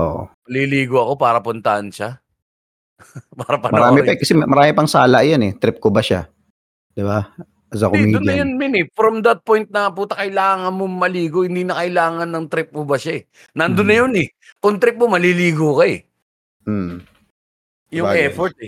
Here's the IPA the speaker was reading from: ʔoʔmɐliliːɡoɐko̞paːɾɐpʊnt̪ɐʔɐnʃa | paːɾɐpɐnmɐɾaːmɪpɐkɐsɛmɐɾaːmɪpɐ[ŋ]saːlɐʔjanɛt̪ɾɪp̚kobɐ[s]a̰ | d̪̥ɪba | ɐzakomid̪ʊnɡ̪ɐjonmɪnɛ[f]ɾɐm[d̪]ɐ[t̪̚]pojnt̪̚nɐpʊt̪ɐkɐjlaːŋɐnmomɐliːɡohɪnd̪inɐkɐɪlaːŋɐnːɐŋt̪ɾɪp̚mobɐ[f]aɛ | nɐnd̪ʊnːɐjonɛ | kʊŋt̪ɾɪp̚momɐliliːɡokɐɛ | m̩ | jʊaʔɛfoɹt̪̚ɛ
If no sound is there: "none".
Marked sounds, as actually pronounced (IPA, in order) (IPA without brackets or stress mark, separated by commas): ŋ, ʃ, f, d̪, t̪̚, ʃ